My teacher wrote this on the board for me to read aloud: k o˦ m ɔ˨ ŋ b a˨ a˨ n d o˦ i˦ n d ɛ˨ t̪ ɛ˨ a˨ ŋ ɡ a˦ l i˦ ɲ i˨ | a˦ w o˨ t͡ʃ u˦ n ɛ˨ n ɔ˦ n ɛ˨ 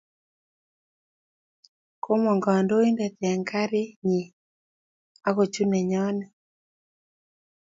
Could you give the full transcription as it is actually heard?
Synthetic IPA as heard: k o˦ m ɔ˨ ŋ ɡ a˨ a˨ n d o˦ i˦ n d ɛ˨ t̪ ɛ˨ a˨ ŋ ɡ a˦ ɾ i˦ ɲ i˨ | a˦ ɣ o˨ t͡ʃ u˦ n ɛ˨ ɲ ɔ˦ n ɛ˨